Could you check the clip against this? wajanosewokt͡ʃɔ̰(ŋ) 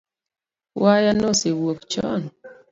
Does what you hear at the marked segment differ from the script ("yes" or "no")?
yes